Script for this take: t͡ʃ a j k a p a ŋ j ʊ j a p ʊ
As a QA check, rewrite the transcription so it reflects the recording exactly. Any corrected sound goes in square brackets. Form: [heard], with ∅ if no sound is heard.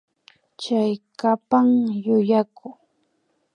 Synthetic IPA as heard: t͡ʃ a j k a p a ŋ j ʊ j a [k] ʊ